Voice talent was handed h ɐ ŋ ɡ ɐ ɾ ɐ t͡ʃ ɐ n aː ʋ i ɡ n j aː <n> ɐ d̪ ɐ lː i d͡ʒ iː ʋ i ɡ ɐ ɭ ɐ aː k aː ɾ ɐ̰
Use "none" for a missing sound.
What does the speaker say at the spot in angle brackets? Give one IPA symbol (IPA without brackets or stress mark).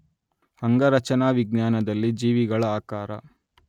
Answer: n